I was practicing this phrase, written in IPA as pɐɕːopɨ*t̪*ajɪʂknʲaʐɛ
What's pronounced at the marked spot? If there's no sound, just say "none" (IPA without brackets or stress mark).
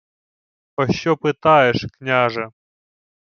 t̪